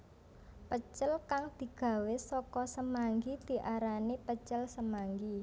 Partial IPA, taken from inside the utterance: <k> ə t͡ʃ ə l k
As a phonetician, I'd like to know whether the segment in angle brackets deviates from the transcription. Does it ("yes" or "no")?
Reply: yes